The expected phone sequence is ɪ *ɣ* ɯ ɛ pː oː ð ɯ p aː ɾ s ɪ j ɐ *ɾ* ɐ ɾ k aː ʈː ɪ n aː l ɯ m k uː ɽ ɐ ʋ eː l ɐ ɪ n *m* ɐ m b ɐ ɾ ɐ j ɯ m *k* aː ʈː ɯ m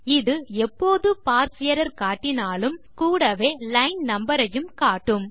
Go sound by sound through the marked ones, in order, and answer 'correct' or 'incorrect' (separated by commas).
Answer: incorrect, correct, incorrect, correct